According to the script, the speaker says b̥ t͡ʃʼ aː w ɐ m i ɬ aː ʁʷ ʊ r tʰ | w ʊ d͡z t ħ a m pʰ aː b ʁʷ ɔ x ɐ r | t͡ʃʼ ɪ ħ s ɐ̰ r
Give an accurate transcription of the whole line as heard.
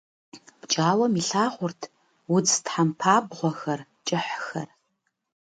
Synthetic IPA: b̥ t͡ʃʼ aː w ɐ m i ɬ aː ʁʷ ʊ r tʰ | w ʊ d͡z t ħ a m pʰ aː b ʁʷ ɔ x ɐ r | t͡ʃʼ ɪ ħ x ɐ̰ r